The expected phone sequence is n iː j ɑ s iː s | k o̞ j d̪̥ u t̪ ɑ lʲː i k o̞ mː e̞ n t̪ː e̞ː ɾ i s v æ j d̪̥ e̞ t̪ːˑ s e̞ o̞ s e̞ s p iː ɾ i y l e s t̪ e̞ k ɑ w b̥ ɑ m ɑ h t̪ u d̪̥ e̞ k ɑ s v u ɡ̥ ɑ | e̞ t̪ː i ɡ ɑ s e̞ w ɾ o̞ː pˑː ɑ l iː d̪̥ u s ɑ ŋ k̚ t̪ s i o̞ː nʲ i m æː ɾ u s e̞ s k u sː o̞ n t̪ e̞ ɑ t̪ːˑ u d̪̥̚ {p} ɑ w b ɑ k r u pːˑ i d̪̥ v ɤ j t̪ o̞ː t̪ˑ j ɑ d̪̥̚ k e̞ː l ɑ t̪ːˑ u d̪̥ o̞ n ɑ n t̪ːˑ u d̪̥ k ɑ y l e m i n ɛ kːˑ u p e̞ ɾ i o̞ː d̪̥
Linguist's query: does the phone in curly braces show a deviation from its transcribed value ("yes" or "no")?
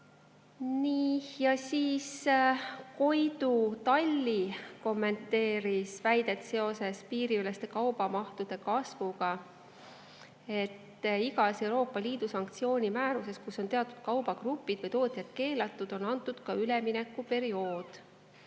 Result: yes